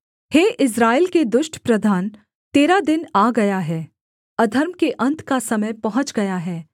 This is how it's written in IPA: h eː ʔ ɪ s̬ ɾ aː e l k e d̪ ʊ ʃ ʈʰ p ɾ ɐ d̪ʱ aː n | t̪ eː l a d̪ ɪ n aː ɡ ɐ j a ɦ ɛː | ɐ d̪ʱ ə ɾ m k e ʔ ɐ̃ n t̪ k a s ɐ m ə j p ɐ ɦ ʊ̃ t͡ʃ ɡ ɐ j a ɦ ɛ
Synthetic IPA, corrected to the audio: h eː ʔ ɪ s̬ ɾ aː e l k e d̪ ʊ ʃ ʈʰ p ɾ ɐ d̪ʱ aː n | t̪ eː ɾ a d̪ ɪ n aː ɡ ɐ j a ɦ ɛː | ɐ d̪ʱ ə ɾ m k e ʔ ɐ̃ n t̪ k a s ɐ m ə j p ɐ ɦ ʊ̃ t͡ʃ ɡ ɐ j a ɦ ɛː